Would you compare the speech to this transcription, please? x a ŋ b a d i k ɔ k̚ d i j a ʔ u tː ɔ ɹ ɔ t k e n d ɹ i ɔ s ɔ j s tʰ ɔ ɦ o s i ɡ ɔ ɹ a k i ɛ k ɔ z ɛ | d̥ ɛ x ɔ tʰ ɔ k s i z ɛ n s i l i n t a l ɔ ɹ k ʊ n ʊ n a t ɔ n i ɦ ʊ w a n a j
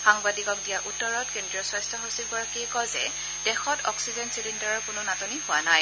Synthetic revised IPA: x a ŋ b a d i k ɔ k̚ d i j a ʔ u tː ɔ ɹ ɔ t k e n d ɹ i ɔ s ɔ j s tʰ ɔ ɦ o s i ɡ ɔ ɹ a k i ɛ k ɔ z ɛ | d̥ ɛ x ɔ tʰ ɔ k s i z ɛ n s i l i n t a ɹ ɔ ɹ k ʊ n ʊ n a t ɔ n i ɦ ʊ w a n a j